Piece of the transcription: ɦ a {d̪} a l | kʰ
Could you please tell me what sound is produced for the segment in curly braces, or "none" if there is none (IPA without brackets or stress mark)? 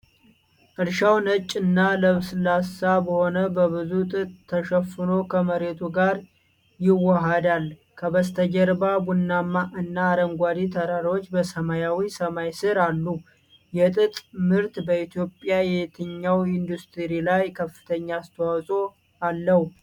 d̪